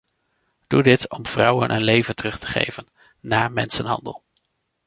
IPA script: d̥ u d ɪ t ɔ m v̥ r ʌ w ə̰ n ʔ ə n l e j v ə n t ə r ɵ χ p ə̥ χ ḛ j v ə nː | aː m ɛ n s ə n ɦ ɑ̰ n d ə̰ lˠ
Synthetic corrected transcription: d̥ u d ɪ t ɔ m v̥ r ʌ w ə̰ n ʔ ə n l e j v ə n t ə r ɵ χ t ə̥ χ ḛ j v ə nː | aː m ɛ n s ə n ɦ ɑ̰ n d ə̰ lˠ